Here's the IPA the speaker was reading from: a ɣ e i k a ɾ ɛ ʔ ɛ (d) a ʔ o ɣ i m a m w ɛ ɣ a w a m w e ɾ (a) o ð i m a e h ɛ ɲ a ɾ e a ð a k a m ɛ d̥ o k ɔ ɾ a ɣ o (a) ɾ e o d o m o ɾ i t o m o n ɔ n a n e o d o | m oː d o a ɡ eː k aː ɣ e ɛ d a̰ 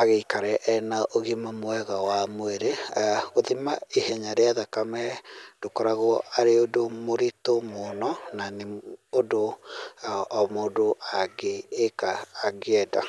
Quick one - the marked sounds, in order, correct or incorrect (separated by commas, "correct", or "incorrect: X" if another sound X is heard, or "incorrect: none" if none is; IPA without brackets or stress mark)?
incorrect: n, incorrect: e, correct